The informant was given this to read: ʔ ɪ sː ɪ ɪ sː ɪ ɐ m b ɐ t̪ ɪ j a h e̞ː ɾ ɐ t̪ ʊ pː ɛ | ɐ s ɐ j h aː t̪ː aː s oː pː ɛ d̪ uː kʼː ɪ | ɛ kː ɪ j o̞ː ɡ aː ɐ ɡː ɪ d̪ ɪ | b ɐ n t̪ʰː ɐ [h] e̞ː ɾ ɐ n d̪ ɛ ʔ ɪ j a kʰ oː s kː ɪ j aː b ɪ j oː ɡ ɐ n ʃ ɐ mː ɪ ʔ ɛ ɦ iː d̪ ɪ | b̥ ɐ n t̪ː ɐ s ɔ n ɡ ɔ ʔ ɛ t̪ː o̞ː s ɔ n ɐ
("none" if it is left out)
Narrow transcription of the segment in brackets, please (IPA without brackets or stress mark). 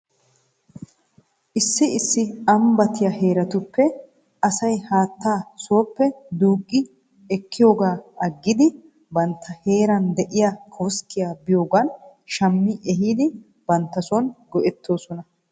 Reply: h